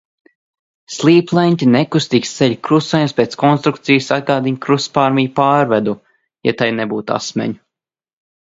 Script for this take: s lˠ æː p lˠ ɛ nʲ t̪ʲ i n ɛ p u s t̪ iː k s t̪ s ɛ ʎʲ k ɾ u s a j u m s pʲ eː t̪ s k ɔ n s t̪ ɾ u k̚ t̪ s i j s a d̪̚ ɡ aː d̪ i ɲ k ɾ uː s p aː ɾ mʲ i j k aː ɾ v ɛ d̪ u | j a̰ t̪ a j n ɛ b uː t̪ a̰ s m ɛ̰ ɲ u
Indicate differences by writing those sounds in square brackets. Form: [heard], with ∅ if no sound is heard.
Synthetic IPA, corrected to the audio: s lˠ [iː] p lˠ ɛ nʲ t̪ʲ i n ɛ [k] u s t̪ iː k s t̪ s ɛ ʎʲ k ɾ u s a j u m s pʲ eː t̪ s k ɔ n s t̪ ɾ u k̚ t̪ s i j s a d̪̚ ɡ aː d̪ i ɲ k ɾ [u] s p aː ɾ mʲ i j [p] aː ɾ v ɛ d̪ u | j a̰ t̪ a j n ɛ b uː t̪ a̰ s m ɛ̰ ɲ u

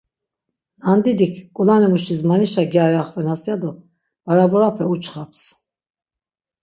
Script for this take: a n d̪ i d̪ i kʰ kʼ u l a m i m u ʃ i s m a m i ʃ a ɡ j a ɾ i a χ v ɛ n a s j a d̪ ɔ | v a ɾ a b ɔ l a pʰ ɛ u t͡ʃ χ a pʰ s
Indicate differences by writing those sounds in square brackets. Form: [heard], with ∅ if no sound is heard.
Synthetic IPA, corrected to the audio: a n d̪ i d̪ i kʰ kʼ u l a [n] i m u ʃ i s m a [n] i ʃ a ɡ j a ɾ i a χ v ɛ n a s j a d̪ ɔ | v a ɾ a b ɔ [ɾ] a pʰ ɛ u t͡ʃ χ a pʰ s

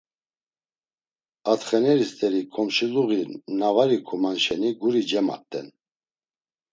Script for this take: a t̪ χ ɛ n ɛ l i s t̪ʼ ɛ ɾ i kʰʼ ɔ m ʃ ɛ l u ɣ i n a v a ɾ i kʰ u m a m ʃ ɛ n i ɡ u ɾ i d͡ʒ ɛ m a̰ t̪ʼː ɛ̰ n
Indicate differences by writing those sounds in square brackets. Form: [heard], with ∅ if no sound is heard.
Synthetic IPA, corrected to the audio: a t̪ χ ɛ n ɛ [ɾ] i s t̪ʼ ɛ ɾ i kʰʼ ɔ m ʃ [i] l u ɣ i n a v a ɾ i kʰ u m a [n] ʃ ɛ n i ɡ u ɾ i d͡ʒ ɛ m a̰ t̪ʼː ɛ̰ n

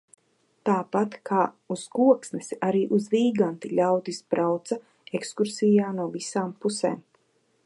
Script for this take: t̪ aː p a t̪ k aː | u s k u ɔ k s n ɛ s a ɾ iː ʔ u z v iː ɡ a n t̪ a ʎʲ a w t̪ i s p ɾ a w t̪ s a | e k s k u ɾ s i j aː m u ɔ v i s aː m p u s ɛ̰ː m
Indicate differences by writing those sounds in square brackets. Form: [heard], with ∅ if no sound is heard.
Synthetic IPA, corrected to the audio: t̪ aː p a t̪ k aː | u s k u ɔ k s n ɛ s a ɾ iː ʔ u z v iː ɡ a n t̪ [i] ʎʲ a w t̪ i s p ɾ a w t̪ s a | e k s k u ɾ s i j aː [n] u ɔ v i s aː m p u s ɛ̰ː m

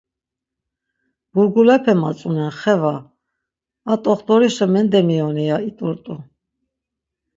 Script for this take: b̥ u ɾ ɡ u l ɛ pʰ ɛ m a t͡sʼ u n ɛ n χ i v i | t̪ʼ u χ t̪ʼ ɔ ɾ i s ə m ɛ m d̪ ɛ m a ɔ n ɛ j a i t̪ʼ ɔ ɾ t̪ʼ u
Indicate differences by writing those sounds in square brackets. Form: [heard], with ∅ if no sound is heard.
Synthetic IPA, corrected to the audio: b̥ u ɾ ɡ u l ɛ pʰ ɛ m a t͡sʼ u n ɛ n χ [ɛ] v [a] | t̪ʼ [ɔ] χ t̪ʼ ɔ ɾ i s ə m ɛ [n] d̪ ɛ m [i] ɔ n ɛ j a i t̪ʼ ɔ ɾ t̪ʼ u

